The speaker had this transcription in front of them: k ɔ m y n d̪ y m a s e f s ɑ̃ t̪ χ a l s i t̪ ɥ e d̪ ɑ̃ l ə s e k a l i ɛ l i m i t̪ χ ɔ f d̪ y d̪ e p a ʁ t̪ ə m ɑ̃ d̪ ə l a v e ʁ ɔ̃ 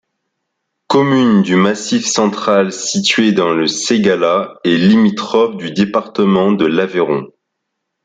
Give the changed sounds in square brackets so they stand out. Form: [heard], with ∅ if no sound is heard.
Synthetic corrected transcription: k ɔ m y n d̪ y m a s [i] f s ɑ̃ t̪ χ a l s i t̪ ɥ e d̪ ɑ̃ l ə s e [ɡ] a l [a] ɛ l i m i t̪ χ ɔ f d̪ y d̪ e p a ʁ t̪ ə m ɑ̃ d̪ ə l a v e ʁ ɔ̃